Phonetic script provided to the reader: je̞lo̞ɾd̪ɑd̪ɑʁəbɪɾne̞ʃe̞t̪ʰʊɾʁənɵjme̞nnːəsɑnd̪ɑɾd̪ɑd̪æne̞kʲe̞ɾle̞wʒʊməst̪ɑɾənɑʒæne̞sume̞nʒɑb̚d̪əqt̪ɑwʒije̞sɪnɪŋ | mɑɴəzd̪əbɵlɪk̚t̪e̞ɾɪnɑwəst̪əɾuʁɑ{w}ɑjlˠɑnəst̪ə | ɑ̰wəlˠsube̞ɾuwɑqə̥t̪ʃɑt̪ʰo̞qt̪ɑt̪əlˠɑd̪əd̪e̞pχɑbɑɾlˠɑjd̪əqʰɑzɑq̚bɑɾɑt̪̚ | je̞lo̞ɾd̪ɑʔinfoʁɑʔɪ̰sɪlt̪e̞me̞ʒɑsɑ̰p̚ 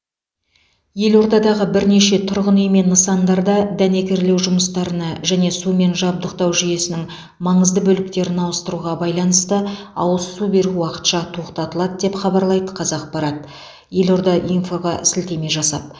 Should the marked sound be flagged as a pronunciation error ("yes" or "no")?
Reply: yes